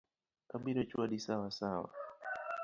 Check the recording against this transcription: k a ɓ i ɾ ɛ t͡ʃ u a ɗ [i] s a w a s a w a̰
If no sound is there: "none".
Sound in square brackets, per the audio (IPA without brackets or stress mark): i